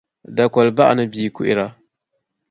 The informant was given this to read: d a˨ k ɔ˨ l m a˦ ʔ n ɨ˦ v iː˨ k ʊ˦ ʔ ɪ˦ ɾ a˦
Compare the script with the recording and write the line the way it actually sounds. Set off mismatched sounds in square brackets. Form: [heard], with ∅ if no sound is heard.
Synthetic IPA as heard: d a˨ k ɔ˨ l [b] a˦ ʔ n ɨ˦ [b] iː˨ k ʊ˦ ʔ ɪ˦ ɾ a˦